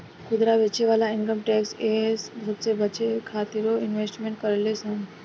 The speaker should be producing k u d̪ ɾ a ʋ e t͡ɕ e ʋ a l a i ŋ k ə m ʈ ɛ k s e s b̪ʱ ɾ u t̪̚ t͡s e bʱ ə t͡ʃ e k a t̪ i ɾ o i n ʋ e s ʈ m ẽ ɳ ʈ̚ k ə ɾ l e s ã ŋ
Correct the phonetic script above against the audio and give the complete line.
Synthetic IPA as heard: k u d̪ ɾ a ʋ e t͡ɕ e ʋ a l a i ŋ k ə m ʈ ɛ k s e s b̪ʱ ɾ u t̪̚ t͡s e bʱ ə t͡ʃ e kʰ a t̪ i ɾ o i n ʋ e s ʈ m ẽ ɳ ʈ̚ k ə ɾ l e s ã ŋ